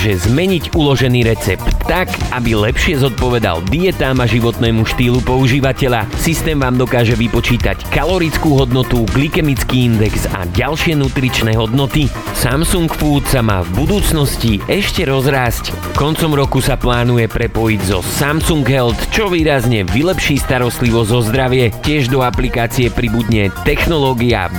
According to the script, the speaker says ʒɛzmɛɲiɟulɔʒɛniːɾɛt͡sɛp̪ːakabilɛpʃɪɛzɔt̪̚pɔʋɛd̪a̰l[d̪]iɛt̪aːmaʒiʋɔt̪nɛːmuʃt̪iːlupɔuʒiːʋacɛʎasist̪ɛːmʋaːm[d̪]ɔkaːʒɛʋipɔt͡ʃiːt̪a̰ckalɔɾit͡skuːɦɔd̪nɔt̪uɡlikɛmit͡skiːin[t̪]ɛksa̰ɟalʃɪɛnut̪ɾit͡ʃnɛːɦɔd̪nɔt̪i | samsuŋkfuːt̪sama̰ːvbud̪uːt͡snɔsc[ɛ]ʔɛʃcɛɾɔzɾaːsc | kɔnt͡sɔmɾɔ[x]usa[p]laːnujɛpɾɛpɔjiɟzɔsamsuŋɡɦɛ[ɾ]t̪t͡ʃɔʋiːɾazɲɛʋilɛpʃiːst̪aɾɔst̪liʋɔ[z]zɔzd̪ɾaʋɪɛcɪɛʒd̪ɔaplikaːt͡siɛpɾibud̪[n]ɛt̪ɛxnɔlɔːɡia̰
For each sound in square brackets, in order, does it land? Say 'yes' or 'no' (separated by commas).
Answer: yes, yes, no, no, no, yes, no, yes, no